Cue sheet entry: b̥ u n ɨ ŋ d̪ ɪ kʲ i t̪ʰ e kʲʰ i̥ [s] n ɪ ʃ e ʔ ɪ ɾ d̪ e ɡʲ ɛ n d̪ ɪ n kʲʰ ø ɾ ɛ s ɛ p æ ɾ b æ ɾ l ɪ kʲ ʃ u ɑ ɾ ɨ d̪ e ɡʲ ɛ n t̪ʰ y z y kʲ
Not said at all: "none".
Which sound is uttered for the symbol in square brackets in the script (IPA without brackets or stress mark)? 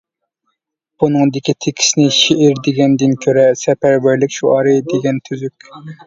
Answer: s